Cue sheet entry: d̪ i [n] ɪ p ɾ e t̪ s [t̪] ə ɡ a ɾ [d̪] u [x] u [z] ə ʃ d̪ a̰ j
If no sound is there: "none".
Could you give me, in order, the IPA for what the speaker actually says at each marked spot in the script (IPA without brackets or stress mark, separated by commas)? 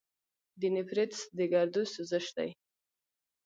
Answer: n, d̪, d̪, s, z